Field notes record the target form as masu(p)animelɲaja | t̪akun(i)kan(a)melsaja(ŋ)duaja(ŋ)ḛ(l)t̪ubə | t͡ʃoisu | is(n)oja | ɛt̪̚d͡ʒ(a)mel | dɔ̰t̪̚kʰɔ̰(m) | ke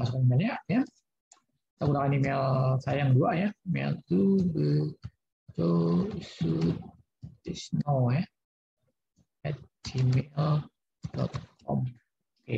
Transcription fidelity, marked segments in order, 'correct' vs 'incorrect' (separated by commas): incorrect, incorrect, incorrect, correct, incorrect, correct, correct, incorrect, correct